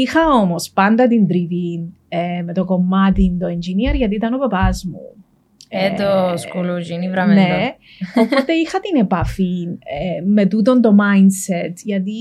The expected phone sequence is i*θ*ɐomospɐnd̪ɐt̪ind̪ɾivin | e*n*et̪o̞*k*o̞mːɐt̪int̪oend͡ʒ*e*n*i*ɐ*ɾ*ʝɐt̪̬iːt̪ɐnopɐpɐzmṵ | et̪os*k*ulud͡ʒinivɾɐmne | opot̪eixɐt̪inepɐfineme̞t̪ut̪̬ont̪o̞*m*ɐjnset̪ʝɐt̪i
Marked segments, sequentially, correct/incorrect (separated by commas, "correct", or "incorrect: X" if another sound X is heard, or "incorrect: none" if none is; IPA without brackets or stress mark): incorrect: x, incorrect: m, correct, incorrect: i, correct, correct, correct, correct